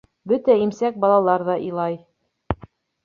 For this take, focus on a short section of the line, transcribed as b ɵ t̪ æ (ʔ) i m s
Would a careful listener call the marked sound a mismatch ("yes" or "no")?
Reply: yes